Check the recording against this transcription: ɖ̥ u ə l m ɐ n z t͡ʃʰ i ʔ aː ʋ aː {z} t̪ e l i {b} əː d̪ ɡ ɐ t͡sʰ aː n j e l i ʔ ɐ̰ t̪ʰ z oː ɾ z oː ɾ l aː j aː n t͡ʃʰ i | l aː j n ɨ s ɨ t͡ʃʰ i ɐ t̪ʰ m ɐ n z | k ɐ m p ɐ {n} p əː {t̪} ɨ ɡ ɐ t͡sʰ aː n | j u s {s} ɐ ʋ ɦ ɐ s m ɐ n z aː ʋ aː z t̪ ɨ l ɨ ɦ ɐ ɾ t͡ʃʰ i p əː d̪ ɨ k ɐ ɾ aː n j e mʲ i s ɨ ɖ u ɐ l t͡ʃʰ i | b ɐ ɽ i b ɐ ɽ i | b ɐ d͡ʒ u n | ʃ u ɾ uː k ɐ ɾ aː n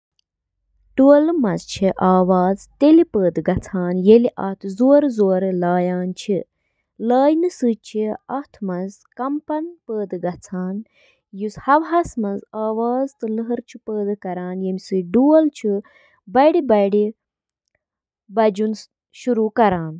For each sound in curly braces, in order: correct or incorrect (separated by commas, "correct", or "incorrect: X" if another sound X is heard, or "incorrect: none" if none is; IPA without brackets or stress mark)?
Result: correct, incorrect: p, correct, incorrect: d̪, incorrect: h